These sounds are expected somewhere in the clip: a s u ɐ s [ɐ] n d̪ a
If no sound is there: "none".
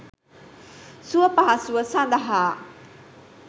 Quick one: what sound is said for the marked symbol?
a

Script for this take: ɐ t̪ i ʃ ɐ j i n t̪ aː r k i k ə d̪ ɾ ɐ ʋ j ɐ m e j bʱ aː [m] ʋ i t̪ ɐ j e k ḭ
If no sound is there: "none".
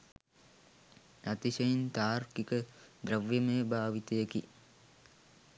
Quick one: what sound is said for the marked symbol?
none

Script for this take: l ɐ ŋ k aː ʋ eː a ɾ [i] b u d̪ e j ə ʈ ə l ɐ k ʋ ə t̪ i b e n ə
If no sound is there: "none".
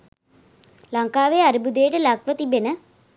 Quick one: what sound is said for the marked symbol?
i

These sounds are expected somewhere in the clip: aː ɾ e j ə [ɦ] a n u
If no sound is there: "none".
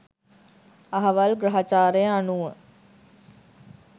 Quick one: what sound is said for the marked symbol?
none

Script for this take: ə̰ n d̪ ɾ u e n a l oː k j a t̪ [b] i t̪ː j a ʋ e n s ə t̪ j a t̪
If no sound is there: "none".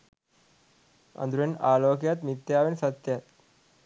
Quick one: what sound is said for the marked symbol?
m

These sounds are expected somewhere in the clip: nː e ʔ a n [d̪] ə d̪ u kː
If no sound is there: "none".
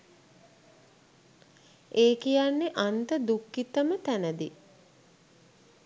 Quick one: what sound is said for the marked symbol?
t̪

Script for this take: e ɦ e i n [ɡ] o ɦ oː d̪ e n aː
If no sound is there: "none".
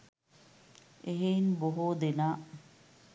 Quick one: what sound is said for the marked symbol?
b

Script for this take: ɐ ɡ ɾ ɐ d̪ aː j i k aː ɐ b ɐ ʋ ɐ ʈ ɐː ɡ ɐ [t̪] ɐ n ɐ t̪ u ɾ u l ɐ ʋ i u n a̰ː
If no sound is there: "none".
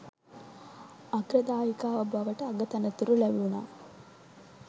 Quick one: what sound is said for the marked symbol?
t̪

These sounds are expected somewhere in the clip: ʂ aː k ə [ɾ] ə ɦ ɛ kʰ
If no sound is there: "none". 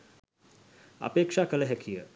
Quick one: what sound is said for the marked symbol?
l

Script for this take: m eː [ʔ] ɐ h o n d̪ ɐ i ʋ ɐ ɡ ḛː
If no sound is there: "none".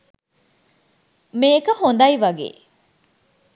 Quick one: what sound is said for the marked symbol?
k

